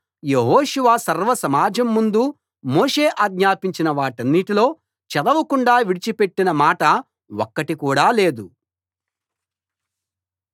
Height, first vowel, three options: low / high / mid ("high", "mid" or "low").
mid